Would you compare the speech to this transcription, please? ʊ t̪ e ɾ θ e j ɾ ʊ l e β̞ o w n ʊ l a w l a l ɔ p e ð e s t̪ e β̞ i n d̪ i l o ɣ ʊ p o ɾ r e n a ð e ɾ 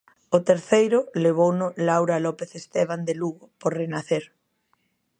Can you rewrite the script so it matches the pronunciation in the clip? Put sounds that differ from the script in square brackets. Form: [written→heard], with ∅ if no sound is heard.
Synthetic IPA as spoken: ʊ t̪ e ɾ θ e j ɾ ʊ l e β̞ o w n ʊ l a w [l→ɾ] a l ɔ p e [ð→θ] e s t̪ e β̞ [i→a] n d̪ [i→e] l [o→u] ɣ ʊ p o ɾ r e n a [ð→θ] e ɾ